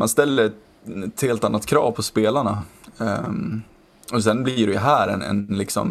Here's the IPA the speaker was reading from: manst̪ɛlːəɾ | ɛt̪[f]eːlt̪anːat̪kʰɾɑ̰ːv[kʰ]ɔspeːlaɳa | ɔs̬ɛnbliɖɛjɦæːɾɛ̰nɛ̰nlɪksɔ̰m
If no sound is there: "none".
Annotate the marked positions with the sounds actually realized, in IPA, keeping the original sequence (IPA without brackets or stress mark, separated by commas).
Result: h, pʰ